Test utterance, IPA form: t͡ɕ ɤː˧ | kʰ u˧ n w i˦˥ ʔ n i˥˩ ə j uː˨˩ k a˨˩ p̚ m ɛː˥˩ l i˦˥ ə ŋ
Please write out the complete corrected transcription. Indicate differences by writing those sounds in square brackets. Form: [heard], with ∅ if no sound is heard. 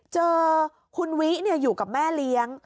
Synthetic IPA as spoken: t͡ɕ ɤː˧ | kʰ u˧ n w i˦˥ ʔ n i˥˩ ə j uː˨˩ k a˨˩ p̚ m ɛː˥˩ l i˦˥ ə ŋ